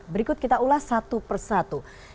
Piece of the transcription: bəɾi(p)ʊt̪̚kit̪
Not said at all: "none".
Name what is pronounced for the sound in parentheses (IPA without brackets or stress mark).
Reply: k